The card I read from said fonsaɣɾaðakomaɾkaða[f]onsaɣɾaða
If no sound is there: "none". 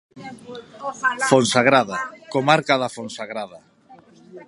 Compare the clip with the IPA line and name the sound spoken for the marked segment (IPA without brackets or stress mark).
f